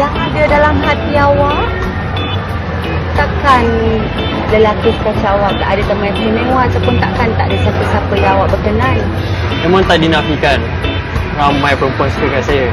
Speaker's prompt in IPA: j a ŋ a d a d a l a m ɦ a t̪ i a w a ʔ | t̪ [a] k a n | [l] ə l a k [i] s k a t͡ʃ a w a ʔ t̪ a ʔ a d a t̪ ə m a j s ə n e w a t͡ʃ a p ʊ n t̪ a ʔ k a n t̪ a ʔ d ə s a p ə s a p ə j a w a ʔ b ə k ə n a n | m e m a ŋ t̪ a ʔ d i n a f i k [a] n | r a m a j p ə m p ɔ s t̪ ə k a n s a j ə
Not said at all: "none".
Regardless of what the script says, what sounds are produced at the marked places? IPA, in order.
a, l, i, a

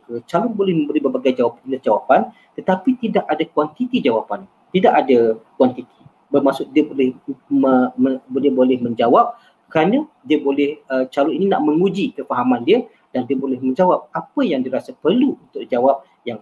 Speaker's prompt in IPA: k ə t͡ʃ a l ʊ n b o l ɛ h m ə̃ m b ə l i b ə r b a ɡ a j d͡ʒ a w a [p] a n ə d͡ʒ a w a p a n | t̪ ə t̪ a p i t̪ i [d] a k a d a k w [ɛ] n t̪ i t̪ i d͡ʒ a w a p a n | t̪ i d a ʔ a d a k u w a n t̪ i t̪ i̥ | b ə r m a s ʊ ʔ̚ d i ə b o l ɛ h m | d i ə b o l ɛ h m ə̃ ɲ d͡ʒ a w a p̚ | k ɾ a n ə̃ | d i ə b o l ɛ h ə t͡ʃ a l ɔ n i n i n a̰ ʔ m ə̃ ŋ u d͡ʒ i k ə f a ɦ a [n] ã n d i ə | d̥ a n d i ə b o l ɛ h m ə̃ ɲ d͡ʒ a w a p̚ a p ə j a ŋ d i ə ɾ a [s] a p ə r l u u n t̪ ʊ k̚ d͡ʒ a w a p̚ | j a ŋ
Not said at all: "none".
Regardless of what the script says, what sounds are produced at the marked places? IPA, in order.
p, d, a, m, s

